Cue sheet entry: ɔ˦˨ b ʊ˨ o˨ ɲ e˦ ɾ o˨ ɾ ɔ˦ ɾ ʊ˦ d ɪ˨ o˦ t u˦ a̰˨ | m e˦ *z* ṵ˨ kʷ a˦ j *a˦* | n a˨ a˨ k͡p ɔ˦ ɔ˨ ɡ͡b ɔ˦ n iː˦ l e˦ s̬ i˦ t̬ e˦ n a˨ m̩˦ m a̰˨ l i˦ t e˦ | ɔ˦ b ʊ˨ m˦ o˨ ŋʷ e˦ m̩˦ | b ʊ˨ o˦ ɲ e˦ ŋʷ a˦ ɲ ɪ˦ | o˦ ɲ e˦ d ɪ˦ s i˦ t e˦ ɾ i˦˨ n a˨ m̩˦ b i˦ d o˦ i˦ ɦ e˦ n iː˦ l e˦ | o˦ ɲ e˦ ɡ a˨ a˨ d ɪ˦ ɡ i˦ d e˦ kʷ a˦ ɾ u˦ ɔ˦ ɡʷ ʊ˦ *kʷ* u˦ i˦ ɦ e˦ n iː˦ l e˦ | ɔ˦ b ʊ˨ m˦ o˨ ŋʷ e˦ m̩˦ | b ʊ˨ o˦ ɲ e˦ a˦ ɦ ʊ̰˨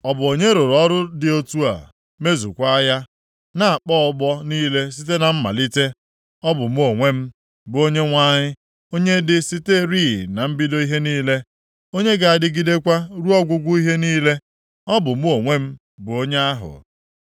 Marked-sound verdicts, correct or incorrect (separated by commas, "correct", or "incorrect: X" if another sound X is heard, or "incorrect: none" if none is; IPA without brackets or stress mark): correct, correct, incorrect: ɡʷ